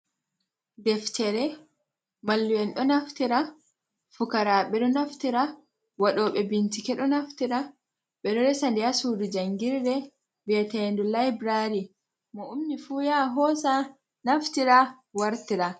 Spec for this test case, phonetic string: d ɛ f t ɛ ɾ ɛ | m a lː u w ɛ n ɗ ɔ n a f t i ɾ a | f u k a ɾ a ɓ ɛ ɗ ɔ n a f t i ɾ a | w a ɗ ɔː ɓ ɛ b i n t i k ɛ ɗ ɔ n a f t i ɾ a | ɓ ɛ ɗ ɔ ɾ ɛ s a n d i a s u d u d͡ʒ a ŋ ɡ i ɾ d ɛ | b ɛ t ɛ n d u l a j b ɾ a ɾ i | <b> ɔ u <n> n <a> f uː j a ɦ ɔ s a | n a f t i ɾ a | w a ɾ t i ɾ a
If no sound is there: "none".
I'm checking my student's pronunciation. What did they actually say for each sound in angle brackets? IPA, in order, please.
m, m, i

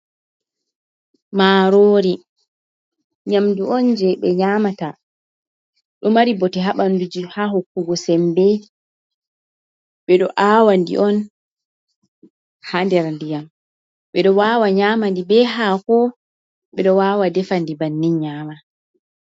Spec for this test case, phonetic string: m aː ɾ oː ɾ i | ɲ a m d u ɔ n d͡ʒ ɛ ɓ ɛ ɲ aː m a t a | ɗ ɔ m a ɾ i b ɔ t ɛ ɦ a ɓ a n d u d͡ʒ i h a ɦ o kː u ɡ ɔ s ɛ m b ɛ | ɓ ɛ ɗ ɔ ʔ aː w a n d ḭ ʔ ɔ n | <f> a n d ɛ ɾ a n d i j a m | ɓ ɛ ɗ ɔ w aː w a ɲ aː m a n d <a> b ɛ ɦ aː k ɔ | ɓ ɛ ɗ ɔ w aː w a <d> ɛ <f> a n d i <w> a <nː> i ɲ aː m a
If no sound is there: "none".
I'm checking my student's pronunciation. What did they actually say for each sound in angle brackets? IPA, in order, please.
h, i, d, f, b, nː

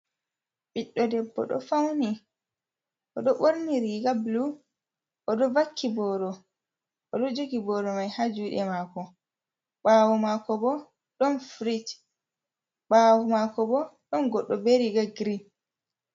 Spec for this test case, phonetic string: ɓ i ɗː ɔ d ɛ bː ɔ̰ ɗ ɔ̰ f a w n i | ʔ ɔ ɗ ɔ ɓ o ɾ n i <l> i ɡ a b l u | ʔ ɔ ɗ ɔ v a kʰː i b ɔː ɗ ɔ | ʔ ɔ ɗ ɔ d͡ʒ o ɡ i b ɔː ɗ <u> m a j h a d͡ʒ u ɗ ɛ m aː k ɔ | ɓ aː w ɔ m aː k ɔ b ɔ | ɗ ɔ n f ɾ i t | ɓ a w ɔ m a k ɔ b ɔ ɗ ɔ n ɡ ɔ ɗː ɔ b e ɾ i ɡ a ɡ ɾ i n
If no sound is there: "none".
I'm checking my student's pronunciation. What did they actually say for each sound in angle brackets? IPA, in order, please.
ɾ, ɔ

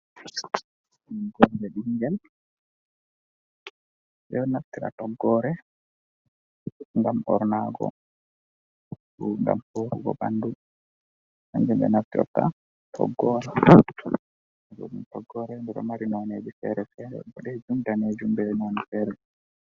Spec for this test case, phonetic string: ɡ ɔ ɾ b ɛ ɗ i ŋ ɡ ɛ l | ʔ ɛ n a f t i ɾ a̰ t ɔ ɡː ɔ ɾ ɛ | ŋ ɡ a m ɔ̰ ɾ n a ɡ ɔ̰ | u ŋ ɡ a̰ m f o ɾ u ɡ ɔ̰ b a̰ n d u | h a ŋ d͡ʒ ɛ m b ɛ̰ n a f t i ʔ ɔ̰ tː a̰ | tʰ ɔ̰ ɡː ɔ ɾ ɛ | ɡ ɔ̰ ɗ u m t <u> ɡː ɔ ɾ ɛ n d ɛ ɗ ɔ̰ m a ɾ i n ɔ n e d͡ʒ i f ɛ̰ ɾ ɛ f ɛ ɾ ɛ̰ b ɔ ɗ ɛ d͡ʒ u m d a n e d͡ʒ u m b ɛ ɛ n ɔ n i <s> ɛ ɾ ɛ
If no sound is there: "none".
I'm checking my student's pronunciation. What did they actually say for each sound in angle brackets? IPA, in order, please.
ɔ, f

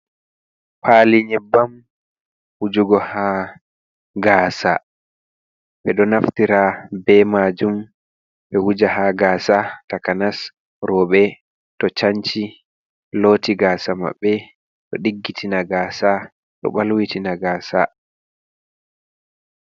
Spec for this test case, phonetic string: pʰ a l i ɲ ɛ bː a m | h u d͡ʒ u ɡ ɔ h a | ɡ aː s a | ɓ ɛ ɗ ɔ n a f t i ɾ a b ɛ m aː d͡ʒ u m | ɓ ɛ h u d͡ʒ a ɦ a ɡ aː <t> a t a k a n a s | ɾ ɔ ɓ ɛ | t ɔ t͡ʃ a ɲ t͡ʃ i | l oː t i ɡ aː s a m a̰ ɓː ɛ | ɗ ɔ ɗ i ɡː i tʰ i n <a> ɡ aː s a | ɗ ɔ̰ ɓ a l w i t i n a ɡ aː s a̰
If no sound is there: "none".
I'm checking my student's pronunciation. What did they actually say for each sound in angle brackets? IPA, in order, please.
s, a

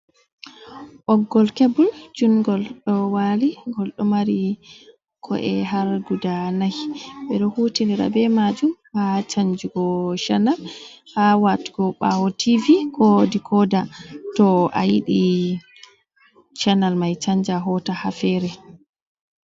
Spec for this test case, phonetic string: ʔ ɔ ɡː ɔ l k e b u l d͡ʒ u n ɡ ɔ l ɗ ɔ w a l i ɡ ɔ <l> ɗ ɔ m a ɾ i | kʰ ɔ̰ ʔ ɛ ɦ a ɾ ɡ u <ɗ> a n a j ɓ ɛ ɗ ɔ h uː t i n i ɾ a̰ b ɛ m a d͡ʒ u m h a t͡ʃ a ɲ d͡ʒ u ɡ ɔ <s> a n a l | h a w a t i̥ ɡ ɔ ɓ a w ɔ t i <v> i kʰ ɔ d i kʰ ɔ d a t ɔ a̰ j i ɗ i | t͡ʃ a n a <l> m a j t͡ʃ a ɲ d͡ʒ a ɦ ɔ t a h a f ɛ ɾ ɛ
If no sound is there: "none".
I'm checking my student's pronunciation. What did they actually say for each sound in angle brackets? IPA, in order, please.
l, d, ʃ, v, l

